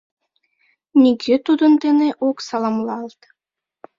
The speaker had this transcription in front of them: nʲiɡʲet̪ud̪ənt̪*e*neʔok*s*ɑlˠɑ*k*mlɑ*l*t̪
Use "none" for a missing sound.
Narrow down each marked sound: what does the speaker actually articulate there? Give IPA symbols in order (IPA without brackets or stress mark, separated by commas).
e, s, none, l